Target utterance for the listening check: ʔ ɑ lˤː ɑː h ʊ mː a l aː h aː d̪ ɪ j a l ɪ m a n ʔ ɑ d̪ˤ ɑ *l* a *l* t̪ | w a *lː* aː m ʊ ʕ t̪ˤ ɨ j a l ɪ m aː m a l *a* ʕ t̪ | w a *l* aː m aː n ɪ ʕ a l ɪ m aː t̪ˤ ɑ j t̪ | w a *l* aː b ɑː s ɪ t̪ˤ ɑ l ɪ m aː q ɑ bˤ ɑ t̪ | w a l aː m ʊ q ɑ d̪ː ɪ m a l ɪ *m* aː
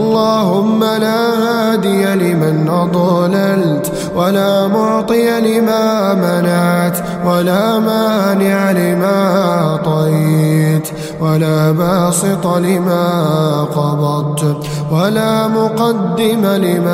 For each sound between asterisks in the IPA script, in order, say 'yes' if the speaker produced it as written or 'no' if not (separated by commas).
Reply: yes, yes, no, yes, yes, yes, yes